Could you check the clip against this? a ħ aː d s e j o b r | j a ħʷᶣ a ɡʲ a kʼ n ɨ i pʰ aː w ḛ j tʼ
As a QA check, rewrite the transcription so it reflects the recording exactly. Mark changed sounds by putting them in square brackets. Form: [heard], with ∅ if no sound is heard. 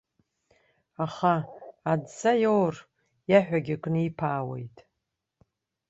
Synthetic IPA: a [χ] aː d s [a] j o [w] r | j a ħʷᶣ a ɡʲ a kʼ n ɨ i pʰ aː w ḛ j tʼ